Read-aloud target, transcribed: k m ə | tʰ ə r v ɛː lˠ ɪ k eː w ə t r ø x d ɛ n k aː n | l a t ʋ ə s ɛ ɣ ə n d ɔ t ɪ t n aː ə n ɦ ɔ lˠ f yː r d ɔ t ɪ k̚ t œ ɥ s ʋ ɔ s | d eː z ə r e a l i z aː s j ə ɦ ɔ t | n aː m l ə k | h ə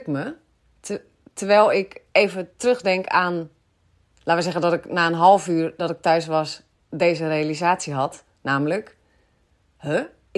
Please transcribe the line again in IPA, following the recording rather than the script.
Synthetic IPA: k m ə | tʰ ə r ʋ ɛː lˠ ɪ k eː v ə t r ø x d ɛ ŋ k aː n | l a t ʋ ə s ɛ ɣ ə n d ɔ t ɪ k n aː ə n ɦ ɔ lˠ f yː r d ɔ t ɪ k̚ t œ ɥ s ʋ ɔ s | d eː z ə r e a l i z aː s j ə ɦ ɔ t | n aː m l ə k | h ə